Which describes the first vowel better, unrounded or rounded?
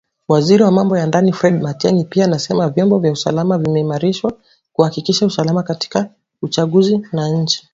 unrounded